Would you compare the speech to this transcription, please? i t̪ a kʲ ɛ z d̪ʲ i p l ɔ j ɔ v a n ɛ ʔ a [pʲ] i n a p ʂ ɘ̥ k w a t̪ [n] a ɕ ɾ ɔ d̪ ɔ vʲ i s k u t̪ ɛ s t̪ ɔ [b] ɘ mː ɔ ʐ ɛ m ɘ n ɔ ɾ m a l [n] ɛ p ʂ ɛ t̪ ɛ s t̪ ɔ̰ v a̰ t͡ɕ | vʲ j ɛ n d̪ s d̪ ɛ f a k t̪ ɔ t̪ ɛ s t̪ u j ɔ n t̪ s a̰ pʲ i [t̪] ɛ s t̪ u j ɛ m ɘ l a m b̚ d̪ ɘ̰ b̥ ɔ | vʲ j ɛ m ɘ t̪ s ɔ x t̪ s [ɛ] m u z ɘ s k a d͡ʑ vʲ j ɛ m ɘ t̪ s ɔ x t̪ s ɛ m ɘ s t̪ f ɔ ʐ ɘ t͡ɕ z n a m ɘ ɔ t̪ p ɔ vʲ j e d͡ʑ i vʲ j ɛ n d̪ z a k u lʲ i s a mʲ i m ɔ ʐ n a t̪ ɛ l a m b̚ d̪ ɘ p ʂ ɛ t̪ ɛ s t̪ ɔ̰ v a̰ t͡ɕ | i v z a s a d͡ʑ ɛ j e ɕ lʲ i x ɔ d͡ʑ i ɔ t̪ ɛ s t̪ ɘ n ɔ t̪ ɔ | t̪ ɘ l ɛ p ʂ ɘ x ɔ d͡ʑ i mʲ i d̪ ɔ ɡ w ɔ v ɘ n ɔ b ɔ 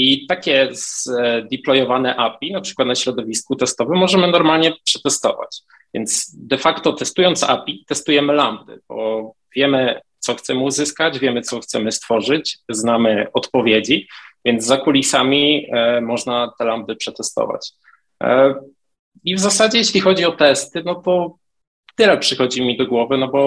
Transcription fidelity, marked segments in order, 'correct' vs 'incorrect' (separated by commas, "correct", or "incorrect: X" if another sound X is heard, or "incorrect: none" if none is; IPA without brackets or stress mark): correct, correct, incorrect: v, incorrect: ɲ, correct, correct